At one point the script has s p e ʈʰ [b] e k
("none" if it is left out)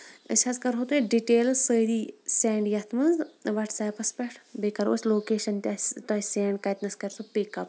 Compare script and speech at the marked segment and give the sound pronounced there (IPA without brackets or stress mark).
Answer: b